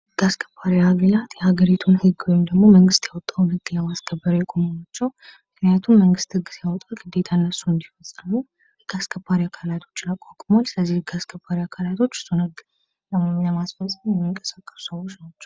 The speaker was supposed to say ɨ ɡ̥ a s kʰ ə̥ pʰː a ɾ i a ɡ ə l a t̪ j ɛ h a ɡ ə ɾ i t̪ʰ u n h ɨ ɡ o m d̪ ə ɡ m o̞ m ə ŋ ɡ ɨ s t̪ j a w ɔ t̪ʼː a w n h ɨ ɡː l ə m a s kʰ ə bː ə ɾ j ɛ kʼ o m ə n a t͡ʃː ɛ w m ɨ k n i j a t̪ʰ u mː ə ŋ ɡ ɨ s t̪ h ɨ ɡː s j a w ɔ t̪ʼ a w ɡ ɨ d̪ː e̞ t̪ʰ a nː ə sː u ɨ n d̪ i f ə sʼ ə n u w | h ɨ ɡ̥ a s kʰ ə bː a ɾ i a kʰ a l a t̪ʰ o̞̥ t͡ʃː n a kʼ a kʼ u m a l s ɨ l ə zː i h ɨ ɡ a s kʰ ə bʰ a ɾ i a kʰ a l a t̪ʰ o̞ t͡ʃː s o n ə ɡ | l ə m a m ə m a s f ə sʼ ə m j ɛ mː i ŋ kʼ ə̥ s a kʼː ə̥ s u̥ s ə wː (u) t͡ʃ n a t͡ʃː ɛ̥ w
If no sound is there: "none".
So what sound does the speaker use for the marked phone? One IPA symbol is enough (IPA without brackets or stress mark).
o